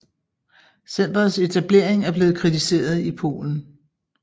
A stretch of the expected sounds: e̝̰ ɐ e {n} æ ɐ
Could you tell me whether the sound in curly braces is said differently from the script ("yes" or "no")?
yes